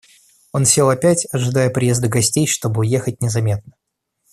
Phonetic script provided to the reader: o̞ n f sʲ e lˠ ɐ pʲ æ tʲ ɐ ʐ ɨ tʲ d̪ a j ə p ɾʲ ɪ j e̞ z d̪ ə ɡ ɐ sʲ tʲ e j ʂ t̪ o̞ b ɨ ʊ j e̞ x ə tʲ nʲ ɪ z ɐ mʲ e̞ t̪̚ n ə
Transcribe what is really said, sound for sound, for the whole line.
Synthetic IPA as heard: o̞ n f sʲ e lˠ ɐ pʲ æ tʲ ɐ ʐ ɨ d̪ a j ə p ɾʲ ɪ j e̞ z d̪ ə ɡ ɐ sʲ tʲ e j ʂ t̪ o̞ b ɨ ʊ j e̞ x ə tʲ nʲ ɪ z ɐ mʲ e̞ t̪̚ n ə